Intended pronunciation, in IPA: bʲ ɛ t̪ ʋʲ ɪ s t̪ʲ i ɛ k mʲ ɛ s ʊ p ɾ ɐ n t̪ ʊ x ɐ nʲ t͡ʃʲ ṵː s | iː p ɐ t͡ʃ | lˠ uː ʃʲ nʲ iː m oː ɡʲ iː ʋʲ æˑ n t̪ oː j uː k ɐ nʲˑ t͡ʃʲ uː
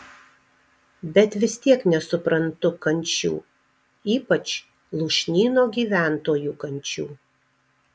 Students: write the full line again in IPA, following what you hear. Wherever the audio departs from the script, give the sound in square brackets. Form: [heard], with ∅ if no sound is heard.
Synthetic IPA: bʲ ɛ t̪ ʋʲ ɪ s t̪ʲ i ɛ k [nʲ] ɛ s ʊ p ɾ ɐ n t̪ ʊ [k] ɐ nʲ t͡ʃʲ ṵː [∅] | iː p ɐ t͡ʃ | lˠ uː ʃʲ nʲ iː [n] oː ɡʲ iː ʋʲ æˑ n t̪ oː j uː k ɐ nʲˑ t͡ʃʲ uː

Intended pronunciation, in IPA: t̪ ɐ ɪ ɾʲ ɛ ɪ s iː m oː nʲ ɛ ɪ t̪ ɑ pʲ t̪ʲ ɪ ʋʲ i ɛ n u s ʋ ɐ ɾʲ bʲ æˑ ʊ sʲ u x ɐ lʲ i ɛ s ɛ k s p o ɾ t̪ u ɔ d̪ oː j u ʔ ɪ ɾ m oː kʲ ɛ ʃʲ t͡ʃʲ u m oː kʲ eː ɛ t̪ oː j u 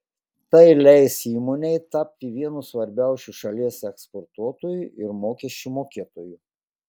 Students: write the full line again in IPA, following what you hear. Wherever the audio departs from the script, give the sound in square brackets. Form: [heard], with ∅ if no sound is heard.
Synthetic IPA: t̪ ɐ ɪ [lʲ] ɛ ɪ s iː m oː nʲ ɛ ɪ t̪ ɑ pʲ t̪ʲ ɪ ʋʲ i ɛ n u s ʋ ɐ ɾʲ bʲ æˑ ʊ sʲ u [ʃ] ɐ lʲ i ɛ s ɛ k s p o ɾ t̪ u ɔ [t̪] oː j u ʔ ɪ ɾ m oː kʲ ɛ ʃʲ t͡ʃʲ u m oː kʲ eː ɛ t̪ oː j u

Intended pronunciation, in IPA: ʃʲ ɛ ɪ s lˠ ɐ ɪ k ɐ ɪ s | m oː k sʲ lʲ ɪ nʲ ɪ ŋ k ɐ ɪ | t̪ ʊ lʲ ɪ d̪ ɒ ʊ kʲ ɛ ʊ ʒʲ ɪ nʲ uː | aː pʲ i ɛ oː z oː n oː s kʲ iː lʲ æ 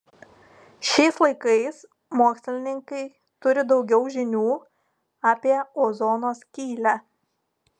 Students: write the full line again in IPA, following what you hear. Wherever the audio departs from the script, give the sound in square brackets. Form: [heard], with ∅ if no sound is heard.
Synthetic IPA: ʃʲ ɛ ɪ s lˠ ɐ ɪ k ɐ ɪ s | m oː k sʲ lʲ ɪ nʲ ɪ ŋ k ɐ ɪ | t̪ ʊ [ɾʲ] ɪ d̪ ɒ ʊ [ɡʲ] ɛ ʊ ʒʲ ɪ nʲ uː | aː pʲ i ɛ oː z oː n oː s kʲ iː lʲ æ

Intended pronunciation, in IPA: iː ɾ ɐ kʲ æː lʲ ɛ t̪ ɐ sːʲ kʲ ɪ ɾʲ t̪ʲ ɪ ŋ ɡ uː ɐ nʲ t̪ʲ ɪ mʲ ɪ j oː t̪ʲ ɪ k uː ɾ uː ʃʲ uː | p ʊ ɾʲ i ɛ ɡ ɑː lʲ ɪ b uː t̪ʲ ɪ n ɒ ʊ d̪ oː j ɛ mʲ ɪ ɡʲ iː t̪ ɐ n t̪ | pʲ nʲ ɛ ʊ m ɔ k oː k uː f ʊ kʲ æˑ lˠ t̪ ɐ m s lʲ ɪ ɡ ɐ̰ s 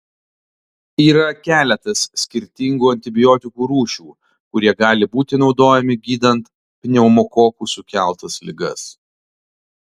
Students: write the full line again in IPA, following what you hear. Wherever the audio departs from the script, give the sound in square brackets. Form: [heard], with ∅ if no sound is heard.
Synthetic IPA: iː ɾ ɐ kʲ æː lʲ ɛ t̪ ɐ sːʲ kʲ ɪ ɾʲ t̪ʲ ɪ ŋ ɡ uː ɐ nʲ t̪ʲ ɪ [bʲ] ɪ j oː t̪ʲ ɪ k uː ɾ uː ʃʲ uː | [k] ʊ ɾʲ i ɛ ɡ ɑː lʲ ɪ b uː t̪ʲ ɪ n ɒ ʊ d̪ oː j ɛ mʲ ɪ ɡʲ iː [d̪] ɐ n t̪ | pʲ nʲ ɛ ʊ m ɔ k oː k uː [s] ʊ kʲ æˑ lˠ t̪ ɐ [∅] s lʲ ɪ ɡ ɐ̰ s

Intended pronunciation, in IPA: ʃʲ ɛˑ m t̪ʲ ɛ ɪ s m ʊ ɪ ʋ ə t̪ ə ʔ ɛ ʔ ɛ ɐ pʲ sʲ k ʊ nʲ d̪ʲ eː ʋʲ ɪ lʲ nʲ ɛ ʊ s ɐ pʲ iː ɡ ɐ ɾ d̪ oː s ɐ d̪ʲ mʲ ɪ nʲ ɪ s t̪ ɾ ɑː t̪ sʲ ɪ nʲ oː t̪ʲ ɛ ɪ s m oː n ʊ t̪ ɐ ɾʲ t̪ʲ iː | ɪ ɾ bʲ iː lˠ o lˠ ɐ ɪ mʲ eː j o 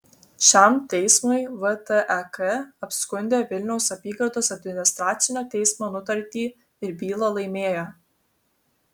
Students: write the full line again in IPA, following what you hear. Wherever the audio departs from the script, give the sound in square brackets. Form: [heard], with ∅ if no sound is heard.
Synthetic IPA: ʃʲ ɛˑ m t̪ʲ ɛ ɪ s m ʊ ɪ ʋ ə t̪ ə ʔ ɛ [k] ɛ ɐ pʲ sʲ k ʊ nʲ d̪ʲ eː ʋʲ ɪ lʲ nʲ ɛ ʊ s ɐ pʲ iː ɡ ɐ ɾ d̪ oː s ɐ d̪ʲ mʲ ɪ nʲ ɪ s t̪ ɾ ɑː t̪ sʲ ɪ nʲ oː t̪ʲ ɛ ɪ s m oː n ʊ t̪ ɐ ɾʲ t̪ʲ iː | ɪ ɾ bʲ iː lˠ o lˠ ɐ ɪ mʲ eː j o

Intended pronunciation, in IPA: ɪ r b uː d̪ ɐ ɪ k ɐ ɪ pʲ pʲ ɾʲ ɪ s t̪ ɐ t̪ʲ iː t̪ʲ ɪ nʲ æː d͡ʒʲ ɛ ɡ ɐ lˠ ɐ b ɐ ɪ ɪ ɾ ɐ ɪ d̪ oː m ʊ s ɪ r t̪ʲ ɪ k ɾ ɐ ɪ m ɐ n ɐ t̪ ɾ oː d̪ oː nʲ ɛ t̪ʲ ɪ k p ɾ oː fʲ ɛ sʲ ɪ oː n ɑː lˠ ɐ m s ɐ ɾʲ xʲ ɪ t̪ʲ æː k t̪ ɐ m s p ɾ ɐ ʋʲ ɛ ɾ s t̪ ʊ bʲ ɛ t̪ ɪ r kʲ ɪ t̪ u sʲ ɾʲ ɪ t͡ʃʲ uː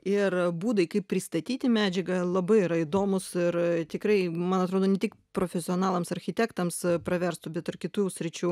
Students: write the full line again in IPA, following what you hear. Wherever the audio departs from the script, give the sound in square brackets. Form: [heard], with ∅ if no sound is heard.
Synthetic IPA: ɪ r b uː d̪ ɐ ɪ k ɐ ɪ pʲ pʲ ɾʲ ɪ s t̪ ɐ t̪ʲ iː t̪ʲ ɪ [mʲ] æː d͡ʒʲ ɛ ɡ ɐ lˠ ɐ b ɐ ɪ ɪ ɾ ɐ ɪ d̪ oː m ʊ s ɪ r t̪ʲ ɪ k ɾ ɐ ɪ m ɐ n ɐ t̪ ɾ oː d̪ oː nʲ ɛ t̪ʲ ɪ k p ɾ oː fʲ ɛ sʲ ɪ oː n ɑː lˠ ɐ m s ɐ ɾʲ xʲ ɪ t̪ʲ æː k t̪ ɐ m s p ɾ ɐ ʋʲ ɛ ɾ s t̪ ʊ bʲ ɛ t̪ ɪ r kʲ ɪ t̪ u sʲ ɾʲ ɪ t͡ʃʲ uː

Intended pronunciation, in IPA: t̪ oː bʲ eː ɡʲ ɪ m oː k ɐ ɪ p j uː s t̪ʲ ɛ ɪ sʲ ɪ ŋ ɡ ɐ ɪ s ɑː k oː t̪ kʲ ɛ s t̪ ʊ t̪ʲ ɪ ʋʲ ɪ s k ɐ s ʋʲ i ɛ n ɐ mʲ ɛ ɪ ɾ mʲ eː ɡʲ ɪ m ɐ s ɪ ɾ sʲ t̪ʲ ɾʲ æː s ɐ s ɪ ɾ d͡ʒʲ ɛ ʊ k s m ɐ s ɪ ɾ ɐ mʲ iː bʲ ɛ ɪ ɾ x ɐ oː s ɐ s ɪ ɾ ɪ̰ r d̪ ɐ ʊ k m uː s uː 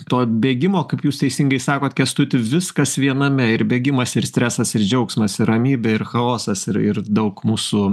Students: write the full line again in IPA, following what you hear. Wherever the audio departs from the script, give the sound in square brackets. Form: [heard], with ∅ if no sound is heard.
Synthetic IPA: t̪ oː bʲ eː ɡʲ ɪ m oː k ɐ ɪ p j uː s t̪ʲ ɛ ɪ sʲ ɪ ŋ ɡ ɐ ɪ s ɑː k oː t̪ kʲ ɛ s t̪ ʊ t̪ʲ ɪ ʋʲ ɪ s k ɐ s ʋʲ i ɛ n ɐ mʲ ɛ ɪ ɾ [bʲ] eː ɡʲ ɪ m ɐ s ɪ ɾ sʲ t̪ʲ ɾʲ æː s ɐ s ɪ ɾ d͡ʒʲ ɛ ʊ k s m ɐ s ɪ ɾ ɐ mʲ iː bʲ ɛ ɪ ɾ x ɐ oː s ɐ s ɪ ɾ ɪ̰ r d̪ ɐ ʊ k m uː s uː

